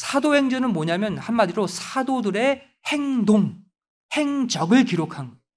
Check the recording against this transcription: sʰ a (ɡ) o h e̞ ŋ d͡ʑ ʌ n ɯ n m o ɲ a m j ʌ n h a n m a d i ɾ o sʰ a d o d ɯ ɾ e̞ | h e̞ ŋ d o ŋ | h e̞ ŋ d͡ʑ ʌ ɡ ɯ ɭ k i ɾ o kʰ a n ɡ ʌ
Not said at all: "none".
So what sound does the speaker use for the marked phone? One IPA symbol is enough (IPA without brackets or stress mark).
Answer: d